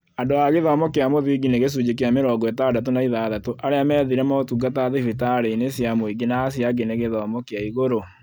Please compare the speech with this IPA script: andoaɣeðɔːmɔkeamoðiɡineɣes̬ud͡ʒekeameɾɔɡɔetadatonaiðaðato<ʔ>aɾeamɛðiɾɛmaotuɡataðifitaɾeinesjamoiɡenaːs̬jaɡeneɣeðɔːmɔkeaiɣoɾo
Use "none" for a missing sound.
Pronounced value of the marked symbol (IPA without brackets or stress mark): ʔ